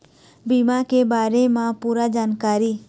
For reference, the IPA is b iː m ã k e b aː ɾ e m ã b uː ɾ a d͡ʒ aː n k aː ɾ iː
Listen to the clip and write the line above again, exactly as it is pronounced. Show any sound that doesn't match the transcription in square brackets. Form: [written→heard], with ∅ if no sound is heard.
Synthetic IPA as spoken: b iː m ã k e b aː ɾ e m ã [b→p] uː ɾ a d͡ʒ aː n k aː ɾ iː